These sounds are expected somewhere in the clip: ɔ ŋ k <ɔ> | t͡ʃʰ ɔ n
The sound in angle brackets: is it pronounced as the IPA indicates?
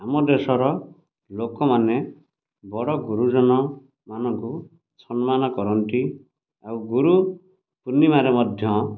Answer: no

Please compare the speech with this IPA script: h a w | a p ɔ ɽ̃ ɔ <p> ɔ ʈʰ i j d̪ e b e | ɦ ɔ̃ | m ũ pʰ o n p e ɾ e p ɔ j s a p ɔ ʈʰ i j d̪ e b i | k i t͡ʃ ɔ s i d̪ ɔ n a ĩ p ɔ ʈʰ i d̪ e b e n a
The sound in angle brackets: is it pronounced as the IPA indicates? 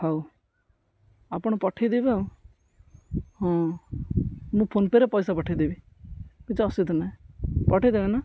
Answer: yes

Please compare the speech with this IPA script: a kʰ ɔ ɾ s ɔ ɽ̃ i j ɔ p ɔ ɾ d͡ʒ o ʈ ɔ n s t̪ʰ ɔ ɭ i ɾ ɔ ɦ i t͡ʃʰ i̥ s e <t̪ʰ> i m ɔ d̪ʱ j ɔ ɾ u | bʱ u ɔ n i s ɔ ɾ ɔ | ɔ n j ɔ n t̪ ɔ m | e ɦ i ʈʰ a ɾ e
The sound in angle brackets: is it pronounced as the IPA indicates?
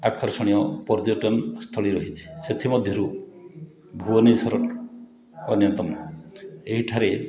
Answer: yes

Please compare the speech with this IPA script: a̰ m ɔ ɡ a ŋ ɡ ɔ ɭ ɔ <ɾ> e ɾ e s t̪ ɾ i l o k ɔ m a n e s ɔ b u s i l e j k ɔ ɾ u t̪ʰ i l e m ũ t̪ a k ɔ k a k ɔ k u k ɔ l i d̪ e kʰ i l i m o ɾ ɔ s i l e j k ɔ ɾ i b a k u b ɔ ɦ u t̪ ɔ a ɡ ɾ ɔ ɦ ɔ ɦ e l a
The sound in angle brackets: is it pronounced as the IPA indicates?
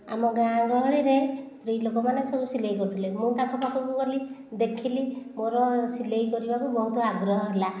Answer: no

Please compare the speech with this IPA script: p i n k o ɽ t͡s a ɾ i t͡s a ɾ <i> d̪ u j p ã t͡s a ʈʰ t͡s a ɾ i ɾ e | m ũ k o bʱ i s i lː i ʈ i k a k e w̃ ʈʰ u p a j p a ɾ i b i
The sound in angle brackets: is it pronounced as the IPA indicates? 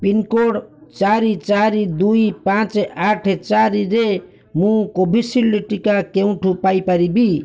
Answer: yes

